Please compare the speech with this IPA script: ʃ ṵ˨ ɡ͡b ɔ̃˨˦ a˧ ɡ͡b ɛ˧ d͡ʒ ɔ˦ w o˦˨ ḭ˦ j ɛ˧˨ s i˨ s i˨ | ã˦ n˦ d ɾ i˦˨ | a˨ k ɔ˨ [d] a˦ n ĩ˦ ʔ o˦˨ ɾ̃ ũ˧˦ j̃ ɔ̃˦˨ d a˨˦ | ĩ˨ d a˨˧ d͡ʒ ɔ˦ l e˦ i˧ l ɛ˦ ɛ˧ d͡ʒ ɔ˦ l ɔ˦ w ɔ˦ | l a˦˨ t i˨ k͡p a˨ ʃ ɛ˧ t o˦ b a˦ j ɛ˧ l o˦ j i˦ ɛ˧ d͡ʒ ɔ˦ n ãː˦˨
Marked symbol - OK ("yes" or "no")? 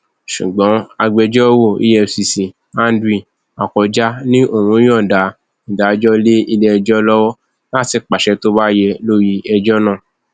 no